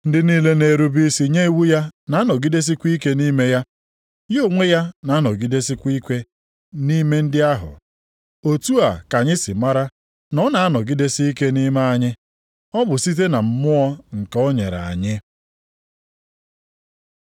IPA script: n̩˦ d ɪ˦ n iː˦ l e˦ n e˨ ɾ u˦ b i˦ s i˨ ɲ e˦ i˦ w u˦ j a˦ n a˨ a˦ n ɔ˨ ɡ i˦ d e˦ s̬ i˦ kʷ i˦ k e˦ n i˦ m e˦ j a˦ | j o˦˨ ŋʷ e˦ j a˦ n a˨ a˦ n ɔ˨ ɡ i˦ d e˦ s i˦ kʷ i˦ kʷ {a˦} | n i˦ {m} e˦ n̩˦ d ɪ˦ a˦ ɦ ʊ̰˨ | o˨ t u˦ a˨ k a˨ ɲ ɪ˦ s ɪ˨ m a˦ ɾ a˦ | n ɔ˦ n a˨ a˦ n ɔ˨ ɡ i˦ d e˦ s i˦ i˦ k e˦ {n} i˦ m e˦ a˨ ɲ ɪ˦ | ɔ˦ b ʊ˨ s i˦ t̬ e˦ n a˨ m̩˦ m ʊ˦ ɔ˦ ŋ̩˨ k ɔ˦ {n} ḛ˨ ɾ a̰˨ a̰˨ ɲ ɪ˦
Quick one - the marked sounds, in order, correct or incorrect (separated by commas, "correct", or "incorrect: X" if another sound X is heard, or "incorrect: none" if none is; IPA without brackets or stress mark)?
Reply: incorrect: e˦, correct, correct, incorrect: ɲ